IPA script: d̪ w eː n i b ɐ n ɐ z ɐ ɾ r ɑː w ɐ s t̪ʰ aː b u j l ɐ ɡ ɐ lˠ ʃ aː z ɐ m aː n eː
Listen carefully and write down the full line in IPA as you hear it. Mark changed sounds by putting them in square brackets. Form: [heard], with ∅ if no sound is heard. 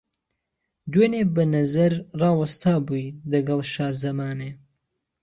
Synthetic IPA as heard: d̪ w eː n [e] b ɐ n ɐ z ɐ ɾ r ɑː w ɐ s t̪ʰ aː b u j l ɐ ɡ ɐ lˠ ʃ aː z ɐ m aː n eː